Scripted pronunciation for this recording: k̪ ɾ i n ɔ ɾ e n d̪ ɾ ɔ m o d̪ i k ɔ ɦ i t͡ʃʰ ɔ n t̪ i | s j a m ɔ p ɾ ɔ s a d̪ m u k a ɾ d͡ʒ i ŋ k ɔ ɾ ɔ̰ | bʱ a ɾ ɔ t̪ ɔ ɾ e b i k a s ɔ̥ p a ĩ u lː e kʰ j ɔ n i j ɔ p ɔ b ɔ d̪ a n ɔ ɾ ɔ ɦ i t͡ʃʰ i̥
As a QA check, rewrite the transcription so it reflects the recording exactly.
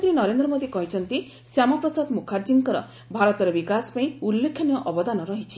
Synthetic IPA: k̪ ɾ i n ɔ ɾ e n d̪ ɾ ɔ m o d̪ i k ɔ ɦ i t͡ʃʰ ɔ n t̪ i | s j a m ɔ p ɾ ɔ s a d̪ m u kʰ a ɾ d͡ʒ i ŋ k ɔ ɾ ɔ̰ | bʱ a ɾ ɔ t̪ ɔ ɾ e b i k a s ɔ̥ p a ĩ u lː e kʰ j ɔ n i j ɔ ʔ ɔ b ɔ d̪ a n ɔ ɾ ɔ ɦ i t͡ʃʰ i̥